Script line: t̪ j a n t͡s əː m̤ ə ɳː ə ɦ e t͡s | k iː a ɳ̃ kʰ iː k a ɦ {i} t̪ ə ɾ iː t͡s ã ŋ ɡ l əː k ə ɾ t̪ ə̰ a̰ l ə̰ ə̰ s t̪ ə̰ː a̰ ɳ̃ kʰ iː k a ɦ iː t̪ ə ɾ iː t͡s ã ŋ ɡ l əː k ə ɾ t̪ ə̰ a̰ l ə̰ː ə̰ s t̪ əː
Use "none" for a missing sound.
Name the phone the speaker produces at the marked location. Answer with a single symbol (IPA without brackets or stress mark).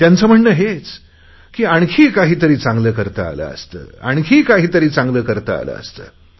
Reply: iː